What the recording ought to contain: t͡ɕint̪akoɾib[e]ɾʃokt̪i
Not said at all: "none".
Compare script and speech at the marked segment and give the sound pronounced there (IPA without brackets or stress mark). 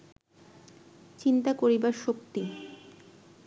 a